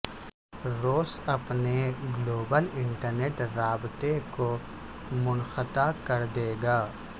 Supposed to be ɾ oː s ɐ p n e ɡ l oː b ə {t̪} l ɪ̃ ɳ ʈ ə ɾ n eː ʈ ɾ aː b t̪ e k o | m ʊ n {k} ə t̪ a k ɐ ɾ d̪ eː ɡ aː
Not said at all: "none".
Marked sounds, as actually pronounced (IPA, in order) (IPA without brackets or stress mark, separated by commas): none, x